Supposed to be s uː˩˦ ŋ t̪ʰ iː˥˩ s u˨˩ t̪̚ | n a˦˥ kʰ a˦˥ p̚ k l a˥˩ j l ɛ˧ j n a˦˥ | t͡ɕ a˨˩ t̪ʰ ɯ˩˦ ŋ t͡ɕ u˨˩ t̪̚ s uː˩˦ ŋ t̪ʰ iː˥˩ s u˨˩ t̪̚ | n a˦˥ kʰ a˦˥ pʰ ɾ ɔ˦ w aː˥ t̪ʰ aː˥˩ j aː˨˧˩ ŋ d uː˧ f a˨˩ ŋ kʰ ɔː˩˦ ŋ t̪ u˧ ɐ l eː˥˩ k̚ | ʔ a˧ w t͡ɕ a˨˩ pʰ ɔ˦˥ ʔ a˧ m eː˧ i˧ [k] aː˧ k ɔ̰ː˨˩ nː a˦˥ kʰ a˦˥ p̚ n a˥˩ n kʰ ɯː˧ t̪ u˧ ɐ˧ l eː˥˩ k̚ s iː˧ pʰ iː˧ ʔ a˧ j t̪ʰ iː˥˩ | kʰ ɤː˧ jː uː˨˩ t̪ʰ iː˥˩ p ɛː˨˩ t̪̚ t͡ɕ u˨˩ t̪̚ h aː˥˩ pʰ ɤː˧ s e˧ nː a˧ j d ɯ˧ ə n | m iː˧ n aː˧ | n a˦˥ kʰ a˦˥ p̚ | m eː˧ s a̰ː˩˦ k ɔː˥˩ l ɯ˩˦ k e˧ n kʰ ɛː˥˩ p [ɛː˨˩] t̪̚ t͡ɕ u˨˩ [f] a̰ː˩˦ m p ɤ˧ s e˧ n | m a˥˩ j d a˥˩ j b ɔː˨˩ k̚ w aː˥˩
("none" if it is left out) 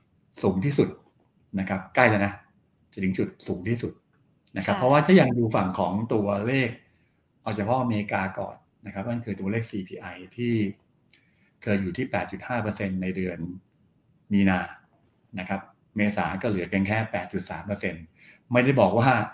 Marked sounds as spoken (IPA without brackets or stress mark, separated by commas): k, ɛː˨˩, s